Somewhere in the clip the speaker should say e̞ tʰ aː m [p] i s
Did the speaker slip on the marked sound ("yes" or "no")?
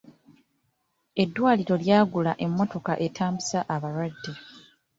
yes